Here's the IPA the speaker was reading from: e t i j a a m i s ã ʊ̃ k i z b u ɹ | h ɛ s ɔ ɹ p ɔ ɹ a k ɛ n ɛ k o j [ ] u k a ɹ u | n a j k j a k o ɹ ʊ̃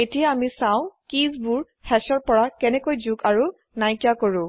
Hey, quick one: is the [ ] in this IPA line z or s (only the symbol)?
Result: z